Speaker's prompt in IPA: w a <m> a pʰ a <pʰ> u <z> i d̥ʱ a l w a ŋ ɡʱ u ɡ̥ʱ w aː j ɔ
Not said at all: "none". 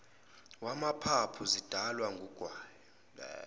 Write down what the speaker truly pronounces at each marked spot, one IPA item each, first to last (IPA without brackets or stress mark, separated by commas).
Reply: m, pʰ, z